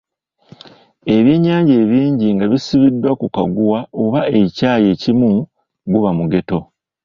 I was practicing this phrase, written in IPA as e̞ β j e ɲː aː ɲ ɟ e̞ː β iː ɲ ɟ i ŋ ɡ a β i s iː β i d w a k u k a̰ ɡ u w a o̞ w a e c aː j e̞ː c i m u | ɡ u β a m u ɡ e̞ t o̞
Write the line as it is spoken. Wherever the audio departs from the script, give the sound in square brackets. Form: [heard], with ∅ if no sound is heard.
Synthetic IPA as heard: e̞ β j e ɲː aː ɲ ɟ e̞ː β iː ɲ ɟ i ŋ ɡ a β i s [i] β i d w a k u k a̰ ɡ u w a o̞ [β] a e c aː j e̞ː c i m u | ɡ u β a m u ɡ e̞ t o̞

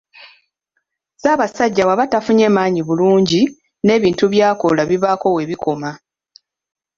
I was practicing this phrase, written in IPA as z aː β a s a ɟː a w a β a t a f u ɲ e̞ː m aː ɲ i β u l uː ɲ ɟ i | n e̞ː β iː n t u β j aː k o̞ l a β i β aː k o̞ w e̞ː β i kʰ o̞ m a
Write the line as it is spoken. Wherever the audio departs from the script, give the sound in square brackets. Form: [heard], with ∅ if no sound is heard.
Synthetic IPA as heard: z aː β a s a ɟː a w a β a t a f u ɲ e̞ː m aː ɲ i β u l uː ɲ ɟ i | n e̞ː β iː n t u β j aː k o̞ l a β i β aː k o̞ w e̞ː β i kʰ o̞ m a

